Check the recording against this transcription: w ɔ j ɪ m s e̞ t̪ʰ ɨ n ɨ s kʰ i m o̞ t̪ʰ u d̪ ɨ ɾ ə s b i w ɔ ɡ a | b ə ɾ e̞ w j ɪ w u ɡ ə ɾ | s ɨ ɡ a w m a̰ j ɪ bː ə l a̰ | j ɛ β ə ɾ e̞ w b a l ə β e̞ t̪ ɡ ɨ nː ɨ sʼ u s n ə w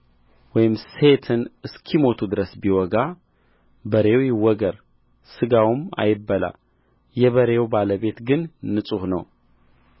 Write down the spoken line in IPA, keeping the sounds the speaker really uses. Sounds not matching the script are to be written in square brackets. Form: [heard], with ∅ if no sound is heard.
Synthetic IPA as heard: w ɔ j ɪ m s e̞ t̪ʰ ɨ n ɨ s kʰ i m o̞ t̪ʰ u d̪ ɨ ɾ ə s b i w ɔ ɡ a | b ə ɾ e̞ w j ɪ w [ɔ] ɡ ə ɾ | s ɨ ɡ a w m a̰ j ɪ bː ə l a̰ | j ɛ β ə ɾ e̞ w b a l ə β e̞ t̪ ɡ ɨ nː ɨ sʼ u [h] n ə w